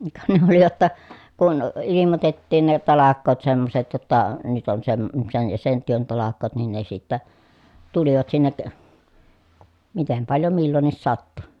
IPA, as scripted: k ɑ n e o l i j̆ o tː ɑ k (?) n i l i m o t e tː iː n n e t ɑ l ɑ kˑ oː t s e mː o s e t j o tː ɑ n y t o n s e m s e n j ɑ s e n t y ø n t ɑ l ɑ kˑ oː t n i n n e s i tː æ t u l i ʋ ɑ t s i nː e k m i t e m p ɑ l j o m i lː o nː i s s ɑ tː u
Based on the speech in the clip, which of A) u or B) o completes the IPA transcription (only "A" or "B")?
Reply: A